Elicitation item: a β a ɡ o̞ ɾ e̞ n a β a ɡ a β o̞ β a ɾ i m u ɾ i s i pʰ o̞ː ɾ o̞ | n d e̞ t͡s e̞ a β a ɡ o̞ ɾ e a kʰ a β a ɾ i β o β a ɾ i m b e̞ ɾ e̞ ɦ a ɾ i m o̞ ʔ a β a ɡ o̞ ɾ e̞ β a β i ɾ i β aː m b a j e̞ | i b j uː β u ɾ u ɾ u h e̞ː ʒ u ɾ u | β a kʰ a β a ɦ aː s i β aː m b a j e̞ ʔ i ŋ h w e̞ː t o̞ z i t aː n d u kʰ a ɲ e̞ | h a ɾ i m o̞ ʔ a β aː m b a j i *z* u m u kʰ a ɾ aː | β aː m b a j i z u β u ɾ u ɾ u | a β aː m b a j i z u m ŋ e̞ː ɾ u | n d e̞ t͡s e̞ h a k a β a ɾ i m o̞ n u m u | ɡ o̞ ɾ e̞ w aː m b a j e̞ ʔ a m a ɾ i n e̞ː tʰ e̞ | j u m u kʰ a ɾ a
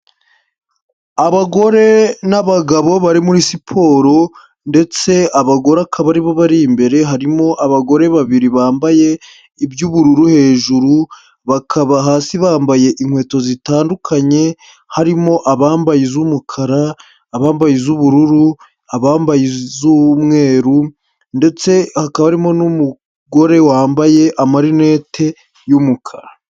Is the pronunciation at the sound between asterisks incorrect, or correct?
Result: correct